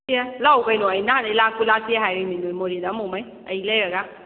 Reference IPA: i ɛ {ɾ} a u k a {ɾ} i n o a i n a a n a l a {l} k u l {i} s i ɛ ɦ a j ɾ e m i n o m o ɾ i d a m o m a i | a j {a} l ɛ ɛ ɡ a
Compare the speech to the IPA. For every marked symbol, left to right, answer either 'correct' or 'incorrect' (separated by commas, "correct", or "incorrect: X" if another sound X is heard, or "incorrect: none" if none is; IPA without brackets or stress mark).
incorrect: l, incorrect: none, incorrect: none, incorrect: a, incorrect: i